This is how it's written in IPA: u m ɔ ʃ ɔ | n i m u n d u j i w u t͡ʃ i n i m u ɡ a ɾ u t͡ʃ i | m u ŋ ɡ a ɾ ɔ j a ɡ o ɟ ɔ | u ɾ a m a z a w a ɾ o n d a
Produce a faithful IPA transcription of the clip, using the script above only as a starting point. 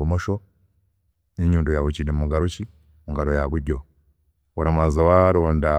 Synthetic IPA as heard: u m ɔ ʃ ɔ | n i ɲ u n d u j a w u t͡ʃ i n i m u ɡ a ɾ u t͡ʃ i | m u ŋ ɡ a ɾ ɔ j a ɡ u ɟ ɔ | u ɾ a m a z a w a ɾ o n d a